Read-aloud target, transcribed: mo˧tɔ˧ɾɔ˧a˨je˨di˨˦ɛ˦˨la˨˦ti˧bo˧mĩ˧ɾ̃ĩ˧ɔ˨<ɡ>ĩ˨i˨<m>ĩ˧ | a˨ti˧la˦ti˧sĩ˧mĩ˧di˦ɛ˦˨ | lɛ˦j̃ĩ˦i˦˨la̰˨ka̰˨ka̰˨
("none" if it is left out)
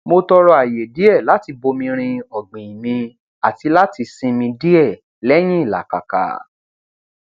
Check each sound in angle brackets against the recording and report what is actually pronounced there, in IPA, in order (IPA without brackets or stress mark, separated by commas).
ɡ͡b, m